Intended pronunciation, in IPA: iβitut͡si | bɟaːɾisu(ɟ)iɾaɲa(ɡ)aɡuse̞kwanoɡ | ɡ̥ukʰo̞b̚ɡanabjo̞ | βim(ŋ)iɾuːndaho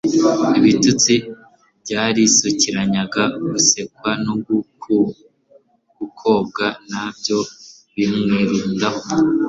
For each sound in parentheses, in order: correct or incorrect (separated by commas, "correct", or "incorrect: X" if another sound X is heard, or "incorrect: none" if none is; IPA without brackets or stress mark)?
incorrect: c, correct, correct